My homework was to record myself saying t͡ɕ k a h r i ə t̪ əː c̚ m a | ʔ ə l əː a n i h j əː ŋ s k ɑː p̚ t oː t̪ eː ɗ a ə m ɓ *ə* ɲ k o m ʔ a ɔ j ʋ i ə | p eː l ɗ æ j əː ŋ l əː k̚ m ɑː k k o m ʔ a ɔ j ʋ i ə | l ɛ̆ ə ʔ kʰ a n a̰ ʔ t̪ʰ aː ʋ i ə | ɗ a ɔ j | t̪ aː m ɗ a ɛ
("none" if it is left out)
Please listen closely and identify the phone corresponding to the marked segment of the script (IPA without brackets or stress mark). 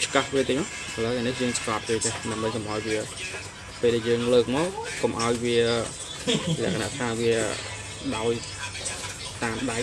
ə